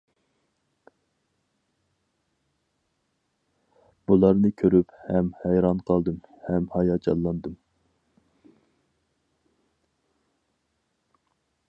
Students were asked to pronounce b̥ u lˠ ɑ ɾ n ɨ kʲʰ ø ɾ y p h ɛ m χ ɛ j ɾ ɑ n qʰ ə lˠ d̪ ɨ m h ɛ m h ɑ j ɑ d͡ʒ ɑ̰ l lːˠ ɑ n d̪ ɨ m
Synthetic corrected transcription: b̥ u lˠ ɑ ɾ n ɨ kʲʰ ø ɾ y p h ɛ m h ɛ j ɾ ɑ n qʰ ɑ lˠ d̪ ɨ m h ɛ m h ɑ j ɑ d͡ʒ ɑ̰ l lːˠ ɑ n d̪ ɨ m

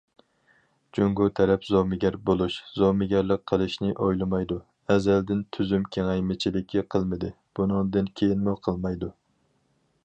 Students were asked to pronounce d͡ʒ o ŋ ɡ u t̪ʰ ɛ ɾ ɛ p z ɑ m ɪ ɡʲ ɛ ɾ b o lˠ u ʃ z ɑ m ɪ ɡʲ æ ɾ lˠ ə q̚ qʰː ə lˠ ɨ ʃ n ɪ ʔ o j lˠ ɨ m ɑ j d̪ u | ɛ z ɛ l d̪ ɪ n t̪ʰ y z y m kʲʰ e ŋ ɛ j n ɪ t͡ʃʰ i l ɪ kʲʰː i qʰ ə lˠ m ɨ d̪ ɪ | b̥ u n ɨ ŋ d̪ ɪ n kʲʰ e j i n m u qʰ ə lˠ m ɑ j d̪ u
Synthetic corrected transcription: d͡ʒ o ŋ ɡ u t̪ʰ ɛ ɾ ɛ p z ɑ m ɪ ɡʲ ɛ ɾ b o lˠ u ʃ z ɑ m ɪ ɡʲ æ ɾ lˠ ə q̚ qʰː ə lˠ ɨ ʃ n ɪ ʔ o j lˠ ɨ m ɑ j d̪ u | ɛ z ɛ l d̪ ɪ n t̪ʰ y z y m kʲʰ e ŋ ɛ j m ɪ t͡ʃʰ i l ɪ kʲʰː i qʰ ə lˠ m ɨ d̪ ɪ | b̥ u n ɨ ŋ d̪ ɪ n kʲʰ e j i n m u qʰ ə lˠ m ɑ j d̪ u

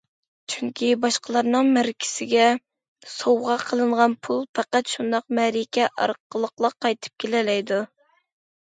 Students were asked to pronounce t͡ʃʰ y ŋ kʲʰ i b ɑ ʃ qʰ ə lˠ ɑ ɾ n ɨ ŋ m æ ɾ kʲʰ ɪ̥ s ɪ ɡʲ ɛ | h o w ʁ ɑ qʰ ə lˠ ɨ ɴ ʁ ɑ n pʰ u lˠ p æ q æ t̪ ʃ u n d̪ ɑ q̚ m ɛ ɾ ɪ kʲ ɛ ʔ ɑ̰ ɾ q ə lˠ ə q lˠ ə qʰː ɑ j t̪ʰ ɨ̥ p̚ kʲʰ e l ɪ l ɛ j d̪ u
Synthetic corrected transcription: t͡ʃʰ y ŋ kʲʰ i b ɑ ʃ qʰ ə lˠ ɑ ɾ n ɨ ŋ m æ ɾ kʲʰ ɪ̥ s ɪ ɡʲ ɛ | s o w ʁ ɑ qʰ ə lˠ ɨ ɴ ʁ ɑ n pʰ u lˠ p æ q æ t̪ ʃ u n d̪ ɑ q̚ m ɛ ɾ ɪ kʲ ɛ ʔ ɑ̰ ɾ q ə lˠ ə q lˠ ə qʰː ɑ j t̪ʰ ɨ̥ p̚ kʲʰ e l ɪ l ɛ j d̪ u

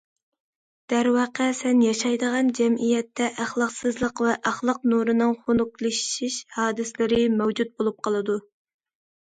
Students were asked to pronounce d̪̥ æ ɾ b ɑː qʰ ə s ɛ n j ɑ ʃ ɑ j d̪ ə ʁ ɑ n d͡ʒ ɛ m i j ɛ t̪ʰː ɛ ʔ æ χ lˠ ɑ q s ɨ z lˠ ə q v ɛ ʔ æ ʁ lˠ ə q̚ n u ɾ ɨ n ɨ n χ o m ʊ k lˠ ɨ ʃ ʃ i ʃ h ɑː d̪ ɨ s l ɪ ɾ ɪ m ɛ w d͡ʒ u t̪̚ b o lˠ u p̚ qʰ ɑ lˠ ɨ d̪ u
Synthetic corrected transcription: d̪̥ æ ɾ w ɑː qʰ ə s ɛ n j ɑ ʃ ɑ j d̪ ə ʁ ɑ n d͡ʒ ɛ m i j ɛ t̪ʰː ɛ ʔ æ χ lˠ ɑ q s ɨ z lˠ ə q v ɛ ʔ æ χ lˠ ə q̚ n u ɾ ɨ n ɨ ŋ χ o n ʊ k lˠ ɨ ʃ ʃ i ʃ h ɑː d̪ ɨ s l ɪ ɾ ɪ m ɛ w d͡ʒ u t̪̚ b o lˠ u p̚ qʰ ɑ lˠ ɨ d̪ u

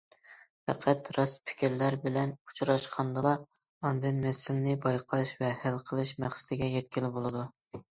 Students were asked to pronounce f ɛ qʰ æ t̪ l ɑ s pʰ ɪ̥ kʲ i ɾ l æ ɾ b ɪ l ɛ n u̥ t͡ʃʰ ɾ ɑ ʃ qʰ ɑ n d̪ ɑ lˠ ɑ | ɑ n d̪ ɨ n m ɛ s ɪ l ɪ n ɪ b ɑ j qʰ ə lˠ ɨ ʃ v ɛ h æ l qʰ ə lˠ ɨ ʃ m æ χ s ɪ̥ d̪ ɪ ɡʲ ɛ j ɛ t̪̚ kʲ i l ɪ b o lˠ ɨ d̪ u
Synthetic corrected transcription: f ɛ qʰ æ t̪ ɾ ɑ s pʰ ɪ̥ kʲ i ɾ l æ ɾ b ɪ l ɛ n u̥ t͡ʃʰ ɾ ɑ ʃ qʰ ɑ n d̪ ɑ lˠ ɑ | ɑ n d̪ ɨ n m ɛ s ɪ l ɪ n ɪ b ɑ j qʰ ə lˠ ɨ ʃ v ɛ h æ l qʰ ə lˠ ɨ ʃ m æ χ s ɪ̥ d̪ ɪ ɡʲ ɛ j ɛ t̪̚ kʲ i l ɪ b o lˠ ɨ d̪ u

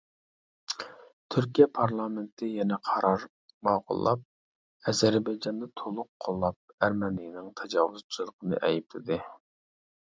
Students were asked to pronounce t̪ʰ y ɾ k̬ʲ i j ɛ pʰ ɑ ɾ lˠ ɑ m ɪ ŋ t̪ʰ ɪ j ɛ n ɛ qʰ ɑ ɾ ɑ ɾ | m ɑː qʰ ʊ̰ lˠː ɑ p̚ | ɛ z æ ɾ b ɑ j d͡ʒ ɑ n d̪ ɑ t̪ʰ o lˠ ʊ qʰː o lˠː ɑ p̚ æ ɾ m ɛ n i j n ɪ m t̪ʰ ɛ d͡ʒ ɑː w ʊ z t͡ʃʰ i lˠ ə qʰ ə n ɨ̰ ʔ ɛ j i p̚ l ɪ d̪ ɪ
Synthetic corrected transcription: t̪ʰ y ɾ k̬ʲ i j ɛ pʰ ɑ ɾ lˠ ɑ m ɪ n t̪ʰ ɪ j ɛ n ɛ qʰ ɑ ɾ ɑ ɾ | m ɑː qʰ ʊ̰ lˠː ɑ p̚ | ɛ z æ ɾ b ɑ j d͡ʒ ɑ n d̪ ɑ t̪ʰ o lˠ ʊ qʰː o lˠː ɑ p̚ æ ɾ m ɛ n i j n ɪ ŋ t̪ʰ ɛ d͡ʒ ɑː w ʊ z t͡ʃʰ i lˠ ə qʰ ə n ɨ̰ ʔ ɛ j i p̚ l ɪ d̪ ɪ

